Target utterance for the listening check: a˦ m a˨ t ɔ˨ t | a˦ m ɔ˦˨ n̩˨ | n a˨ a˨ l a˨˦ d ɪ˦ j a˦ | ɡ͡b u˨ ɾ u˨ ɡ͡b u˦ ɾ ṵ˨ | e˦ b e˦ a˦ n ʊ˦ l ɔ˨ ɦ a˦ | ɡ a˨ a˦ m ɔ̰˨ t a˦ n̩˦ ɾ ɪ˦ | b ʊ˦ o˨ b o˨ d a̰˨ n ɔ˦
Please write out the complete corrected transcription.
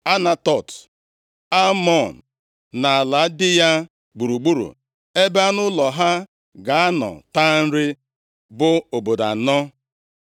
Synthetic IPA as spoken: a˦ n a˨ t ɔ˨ t | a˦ m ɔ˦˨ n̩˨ | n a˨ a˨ l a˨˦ d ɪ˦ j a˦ | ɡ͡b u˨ ɾ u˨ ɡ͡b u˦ ɾ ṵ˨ | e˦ b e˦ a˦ n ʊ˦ l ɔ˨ ɦ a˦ | ɡ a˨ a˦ n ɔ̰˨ t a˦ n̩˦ ɾ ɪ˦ | b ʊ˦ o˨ b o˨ d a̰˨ n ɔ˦

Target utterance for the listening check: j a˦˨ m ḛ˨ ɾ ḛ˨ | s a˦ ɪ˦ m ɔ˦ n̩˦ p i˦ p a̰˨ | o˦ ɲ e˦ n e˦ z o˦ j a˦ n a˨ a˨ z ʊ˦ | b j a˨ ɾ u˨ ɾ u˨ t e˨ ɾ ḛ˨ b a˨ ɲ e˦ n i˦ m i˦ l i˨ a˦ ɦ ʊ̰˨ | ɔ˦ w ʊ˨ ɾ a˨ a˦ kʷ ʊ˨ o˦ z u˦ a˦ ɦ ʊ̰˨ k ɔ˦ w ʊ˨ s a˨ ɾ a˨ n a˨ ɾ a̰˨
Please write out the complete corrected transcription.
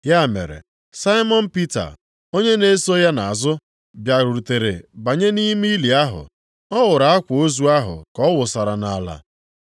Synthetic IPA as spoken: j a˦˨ m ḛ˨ ɾ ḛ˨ | s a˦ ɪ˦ m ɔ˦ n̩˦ p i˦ t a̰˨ | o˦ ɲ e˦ n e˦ s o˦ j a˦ n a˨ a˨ z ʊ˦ | b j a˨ ɾ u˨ ɾ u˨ t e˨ ɾ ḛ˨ b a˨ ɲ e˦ n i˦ m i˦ l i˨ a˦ ɦ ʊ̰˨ | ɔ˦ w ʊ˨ ɾ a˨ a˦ kʷ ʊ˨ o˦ z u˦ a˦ ɦ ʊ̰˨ k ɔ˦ w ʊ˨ s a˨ ɾ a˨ n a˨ l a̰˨

